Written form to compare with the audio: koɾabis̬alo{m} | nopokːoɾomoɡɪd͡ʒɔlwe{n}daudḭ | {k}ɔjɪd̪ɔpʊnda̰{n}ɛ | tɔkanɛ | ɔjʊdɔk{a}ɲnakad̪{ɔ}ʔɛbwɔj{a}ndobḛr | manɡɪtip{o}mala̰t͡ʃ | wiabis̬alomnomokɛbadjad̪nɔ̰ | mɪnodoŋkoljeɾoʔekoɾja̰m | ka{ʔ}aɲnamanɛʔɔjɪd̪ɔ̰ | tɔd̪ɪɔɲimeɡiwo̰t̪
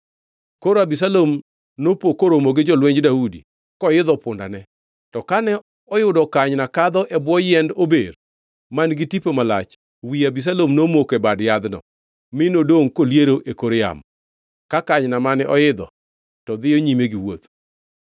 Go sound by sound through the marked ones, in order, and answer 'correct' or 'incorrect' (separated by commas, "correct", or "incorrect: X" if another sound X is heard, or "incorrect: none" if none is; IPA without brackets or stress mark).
correct, incorrect: ɲ, correct, correct, correct, correct, incorrect: ɛ, correct, incorrect: k